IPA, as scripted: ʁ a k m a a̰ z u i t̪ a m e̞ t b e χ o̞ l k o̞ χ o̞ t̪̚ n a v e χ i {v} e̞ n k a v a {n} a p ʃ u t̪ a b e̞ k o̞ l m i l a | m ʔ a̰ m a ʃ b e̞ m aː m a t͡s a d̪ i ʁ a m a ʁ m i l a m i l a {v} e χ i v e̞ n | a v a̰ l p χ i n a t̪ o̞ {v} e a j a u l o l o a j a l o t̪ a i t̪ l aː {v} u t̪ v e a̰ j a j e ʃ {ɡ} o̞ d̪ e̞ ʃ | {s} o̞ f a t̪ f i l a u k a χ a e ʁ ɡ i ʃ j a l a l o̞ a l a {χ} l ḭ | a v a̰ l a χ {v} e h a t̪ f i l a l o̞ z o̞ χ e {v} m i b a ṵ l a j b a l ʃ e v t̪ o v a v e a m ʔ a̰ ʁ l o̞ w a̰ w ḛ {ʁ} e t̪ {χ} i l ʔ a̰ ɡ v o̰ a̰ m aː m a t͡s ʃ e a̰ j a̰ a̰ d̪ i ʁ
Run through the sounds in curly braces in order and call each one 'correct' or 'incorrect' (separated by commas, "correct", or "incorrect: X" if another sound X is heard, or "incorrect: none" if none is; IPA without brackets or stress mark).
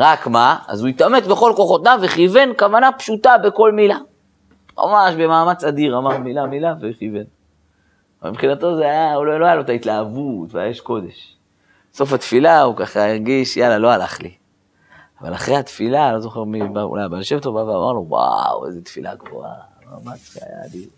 correct, correct, correct, incorrect: z, correct, incorrect: k, correct, correct, incorrect: ʁ, incorrect: ʁ, incorrect: z, incorrect: f